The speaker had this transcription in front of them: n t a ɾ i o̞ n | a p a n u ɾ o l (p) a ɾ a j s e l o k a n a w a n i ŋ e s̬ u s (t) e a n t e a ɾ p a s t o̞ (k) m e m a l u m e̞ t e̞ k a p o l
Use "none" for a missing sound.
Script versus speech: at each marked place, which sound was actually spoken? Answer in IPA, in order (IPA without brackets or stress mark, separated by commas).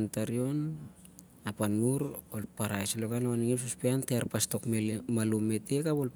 p, p, k